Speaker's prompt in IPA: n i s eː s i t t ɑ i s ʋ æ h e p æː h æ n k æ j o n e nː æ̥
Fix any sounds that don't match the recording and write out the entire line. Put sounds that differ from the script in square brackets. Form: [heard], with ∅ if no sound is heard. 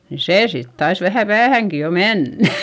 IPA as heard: n i s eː s i t t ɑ i s ʋ æ h [æ] p æː h æ [ŋ] k [i] j o [m] e nː æ̥

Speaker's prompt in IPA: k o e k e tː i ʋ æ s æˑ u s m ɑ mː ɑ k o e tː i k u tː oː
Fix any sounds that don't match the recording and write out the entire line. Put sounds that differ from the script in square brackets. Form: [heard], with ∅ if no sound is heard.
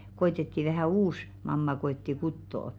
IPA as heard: k o e [t] e tː i ʋ æ [h] æˑ [uː] s m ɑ mː ɑ k o e tː i k u tː oː

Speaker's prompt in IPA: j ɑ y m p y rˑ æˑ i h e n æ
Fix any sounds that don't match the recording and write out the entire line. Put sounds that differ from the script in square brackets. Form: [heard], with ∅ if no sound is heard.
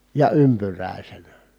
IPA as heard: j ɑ y m p y rˑ æˑ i [s] e n æ

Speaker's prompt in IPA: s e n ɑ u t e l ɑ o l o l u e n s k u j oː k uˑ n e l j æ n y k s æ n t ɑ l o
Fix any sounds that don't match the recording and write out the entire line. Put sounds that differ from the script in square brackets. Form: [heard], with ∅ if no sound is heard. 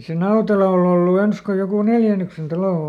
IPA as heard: s e n ɑ u t e l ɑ o l o [lː] u e n s k [o] j [o] k uˑ n e l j æ n y k s [e] n t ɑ l o

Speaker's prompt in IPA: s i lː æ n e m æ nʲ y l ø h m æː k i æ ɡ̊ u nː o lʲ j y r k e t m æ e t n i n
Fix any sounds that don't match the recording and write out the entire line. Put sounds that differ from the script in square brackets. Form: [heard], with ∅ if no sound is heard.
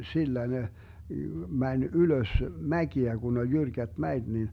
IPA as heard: s i lː æ n e m æ nʲ y l ø [s] m [æ] k i æ ɡ̊ u [n] o lʲ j y r k [æ] t m æ e t n i n

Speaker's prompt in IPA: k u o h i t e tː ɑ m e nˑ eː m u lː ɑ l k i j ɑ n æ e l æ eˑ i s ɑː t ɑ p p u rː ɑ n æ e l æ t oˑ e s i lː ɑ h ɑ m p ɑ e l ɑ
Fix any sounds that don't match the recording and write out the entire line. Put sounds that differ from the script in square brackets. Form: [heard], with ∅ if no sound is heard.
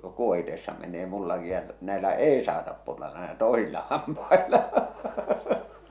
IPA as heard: k u o h i t e [sː] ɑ m e nˑ eː m u lː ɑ [∅] k i j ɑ n æ e l æ eˑ i s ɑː t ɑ p p u rː ɑ n æ e l æ t oˑ e s i lː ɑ h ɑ m p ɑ e l ɑ

